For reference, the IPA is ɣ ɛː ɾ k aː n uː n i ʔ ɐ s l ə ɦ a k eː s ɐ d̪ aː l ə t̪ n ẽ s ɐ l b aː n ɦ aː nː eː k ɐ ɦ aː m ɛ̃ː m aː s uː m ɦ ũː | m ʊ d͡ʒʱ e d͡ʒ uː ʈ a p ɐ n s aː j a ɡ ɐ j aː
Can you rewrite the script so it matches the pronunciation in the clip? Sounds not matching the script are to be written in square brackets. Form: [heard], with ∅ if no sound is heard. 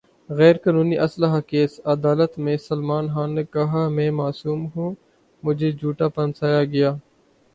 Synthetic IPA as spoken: ɣ ɛː ɾ k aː n uː n i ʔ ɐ s l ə ɦ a k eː s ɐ d̪ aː l ə t̪ [m] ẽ s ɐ l [m] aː n ɦ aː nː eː k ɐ ɦ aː m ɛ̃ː m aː s uː m ɦ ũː | m ʊ d͡ʒʱ e d͡ʒ uː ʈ a p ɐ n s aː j a ɡ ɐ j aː